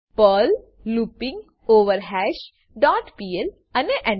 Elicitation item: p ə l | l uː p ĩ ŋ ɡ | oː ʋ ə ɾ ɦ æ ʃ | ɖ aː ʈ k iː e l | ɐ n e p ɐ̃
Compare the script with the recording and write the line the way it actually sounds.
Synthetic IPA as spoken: p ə l | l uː p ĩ ŋ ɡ | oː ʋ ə ɾ ɦ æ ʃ | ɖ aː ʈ p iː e l | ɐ n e ʔ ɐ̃